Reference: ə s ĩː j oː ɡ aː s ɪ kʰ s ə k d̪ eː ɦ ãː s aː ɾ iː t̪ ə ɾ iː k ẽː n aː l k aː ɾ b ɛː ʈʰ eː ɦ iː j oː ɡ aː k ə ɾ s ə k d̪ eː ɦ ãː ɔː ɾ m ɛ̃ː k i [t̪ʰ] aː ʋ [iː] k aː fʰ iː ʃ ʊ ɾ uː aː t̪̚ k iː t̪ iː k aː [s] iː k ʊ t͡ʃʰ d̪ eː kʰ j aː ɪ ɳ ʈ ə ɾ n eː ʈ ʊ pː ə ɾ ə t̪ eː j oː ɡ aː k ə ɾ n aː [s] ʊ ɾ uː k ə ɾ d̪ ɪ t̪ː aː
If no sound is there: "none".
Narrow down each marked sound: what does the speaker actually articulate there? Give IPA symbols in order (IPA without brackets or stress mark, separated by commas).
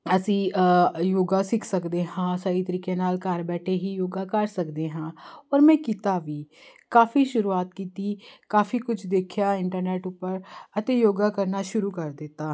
t̪, iː, f, ʃ